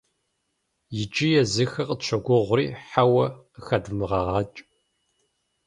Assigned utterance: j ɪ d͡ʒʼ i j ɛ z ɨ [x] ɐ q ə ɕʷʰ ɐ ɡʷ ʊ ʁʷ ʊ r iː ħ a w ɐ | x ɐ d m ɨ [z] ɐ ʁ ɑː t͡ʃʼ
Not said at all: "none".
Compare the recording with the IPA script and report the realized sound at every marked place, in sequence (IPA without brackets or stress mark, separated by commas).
x, ʁ